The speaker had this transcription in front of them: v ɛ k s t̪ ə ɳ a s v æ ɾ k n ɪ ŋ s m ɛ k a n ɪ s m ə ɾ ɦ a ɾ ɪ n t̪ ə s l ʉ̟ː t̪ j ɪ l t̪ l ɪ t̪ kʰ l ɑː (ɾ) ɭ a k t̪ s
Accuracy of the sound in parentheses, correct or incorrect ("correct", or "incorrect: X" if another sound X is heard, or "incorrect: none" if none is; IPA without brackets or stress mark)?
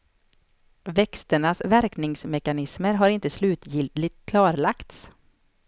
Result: correct